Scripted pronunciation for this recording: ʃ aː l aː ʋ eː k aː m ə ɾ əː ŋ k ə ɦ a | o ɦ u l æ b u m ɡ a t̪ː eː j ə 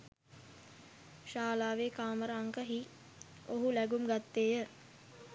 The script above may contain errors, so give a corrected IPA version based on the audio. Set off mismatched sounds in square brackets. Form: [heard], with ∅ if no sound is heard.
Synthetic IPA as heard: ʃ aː l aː ʋ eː k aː m ə ɾ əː ŋ k ə ɦ [i] | o ɦ u l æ [ɡ] u m ɡ a t̪ː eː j ə